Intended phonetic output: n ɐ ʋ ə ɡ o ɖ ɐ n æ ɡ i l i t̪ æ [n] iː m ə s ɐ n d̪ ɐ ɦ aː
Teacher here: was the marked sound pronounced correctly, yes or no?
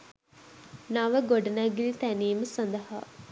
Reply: yes